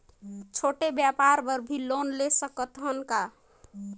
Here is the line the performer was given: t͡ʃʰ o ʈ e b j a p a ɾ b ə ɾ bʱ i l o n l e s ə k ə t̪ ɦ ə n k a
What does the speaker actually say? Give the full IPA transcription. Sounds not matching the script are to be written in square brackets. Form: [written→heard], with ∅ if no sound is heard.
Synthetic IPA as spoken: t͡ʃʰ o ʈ e b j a p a ɾ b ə ɾ bʱ i l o n l e s ə k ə t̪ ɦ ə n k a